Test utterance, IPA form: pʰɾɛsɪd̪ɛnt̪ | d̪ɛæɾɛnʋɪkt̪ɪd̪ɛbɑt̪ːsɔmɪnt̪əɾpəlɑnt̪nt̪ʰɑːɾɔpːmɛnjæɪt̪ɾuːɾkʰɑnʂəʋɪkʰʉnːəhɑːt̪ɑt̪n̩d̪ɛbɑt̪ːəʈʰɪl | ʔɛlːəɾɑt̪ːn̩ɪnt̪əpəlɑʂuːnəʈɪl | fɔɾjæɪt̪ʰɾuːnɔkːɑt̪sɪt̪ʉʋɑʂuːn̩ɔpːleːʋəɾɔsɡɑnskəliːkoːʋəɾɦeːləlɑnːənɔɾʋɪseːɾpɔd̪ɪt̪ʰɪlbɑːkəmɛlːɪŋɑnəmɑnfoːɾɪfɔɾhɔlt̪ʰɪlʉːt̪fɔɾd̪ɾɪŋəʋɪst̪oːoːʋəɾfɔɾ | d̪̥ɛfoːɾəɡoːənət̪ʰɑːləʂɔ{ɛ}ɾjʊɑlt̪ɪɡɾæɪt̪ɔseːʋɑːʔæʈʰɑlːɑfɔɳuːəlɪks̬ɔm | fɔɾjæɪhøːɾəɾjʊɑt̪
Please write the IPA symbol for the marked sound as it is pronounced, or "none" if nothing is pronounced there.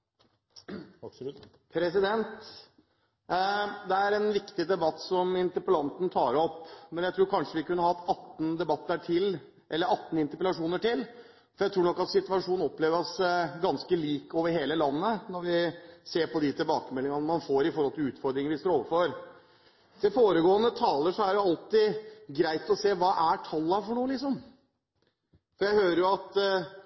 æ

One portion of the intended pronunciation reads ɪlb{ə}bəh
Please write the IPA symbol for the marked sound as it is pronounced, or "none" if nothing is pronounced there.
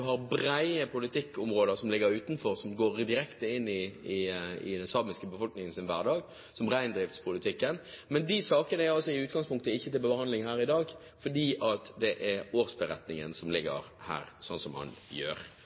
ə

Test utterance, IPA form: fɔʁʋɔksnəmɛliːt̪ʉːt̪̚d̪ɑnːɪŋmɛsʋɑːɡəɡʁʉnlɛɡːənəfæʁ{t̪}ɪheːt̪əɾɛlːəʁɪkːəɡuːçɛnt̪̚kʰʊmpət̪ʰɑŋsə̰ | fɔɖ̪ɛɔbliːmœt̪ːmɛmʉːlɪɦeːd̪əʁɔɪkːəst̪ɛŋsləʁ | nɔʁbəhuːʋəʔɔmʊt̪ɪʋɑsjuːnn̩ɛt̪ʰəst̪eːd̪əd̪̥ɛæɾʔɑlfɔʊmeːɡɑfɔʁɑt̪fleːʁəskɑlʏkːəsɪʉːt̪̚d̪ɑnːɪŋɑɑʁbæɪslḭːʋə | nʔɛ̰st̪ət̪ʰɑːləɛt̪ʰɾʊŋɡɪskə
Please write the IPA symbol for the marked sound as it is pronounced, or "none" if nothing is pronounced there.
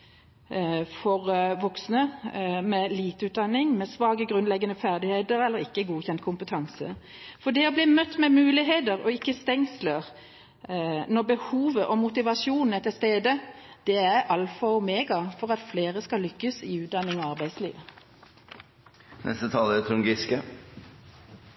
d̪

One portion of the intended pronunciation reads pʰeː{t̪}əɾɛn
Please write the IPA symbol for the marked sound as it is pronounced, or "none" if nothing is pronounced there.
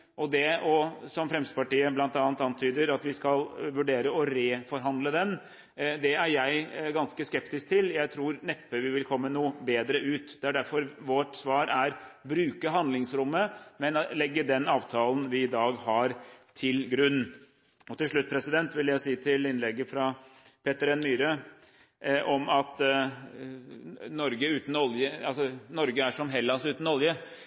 t̪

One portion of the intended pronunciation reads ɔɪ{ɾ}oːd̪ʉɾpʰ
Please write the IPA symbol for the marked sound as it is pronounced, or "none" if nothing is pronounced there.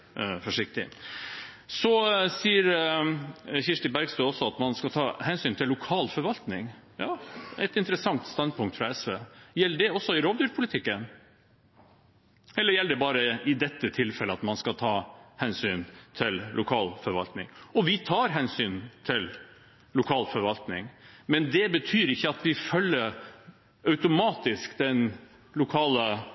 ɾ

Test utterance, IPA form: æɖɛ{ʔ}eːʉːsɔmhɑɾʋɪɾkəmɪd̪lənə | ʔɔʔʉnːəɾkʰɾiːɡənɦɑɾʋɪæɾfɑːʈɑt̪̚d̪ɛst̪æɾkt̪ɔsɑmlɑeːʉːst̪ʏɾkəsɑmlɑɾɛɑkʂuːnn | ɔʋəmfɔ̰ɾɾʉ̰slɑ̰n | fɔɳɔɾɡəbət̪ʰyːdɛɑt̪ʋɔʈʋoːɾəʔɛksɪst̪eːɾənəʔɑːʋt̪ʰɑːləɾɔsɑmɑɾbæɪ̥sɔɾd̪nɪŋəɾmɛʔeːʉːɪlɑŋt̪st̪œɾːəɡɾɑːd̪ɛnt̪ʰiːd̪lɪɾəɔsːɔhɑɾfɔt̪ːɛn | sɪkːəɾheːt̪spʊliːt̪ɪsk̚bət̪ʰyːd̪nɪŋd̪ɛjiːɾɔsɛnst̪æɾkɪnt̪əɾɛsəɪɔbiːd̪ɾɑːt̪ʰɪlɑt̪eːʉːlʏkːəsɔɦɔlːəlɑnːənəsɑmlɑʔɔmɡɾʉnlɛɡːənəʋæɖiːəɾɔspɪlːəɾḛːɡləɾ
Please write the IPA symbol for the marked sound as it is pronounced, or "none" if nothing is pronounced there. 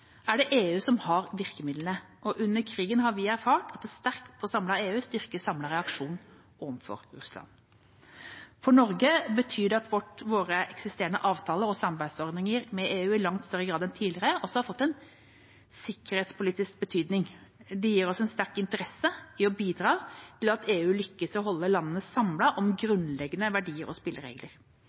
ʔ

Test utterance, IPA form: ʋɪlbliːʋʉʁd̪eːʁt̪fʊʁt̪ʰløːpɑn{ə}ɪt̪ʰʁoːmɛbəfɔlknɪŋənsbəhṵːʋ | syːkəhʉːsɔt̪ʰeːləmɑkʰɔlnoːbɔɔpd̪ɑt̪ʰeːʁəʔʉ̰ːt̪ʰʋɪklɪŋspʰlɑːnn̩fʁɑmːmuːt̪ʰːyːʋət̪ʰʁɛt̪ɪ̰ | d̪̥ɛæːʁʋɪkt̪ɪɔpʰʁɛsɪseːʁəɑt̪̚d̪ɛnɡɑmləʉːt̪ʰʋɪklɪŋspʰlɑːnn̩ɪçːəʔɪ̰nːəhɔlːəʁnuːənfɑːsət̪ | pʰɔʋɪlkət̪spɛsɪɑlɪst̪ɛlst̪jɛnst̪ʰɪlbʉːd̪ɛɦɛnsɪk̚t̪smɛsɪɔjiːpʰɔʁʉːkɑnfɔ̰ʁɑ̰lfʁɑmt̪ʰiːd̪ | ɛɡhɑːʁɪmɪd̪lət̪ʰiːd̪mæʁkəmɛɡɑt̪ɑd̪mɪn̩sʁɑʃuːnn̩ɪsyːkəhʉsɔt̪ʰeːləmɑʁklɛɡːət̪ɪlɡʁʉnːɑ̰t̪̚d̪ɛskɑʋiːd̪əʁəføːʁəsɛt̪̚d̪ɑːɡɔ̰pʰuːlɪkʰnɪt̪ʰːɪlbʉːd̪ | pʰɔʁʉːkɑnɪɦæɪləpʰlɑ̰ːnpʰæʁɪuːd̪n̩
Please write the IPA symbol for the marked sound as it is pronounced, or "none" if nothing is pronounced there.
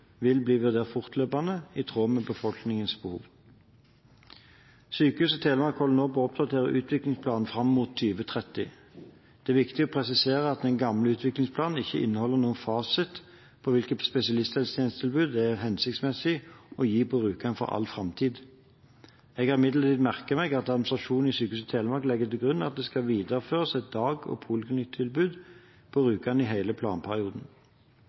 ə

